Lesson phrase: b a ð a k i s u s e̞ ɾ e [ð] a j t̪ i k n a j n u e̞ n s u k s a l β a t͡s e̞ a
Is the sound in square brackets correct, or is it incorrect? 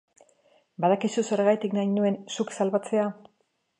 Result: incorrect